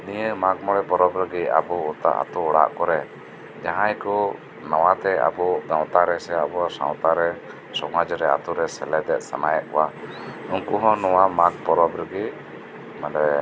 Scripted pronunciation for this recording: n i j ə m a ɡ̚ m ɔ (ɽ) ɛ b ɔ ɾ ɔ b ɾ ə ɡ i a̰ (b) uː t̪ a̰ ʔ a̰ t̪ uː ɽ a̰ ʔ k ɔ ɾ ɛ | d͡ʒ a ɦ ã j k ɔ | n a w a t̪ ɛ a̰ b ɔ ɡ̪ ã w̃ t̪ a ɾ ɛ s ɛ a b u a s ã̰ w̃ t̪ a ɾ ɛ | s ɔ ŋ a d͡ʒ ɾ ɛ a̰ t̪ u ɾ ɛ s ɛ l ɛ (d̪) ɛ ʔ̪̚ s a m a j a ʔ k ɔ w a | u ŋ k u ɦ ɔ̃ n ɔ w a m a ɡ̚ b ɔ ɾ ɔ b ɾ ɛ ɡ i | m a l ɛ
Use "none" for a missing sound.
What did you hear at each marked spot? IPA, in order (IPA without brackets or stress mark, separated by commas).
ɽ, b, d̪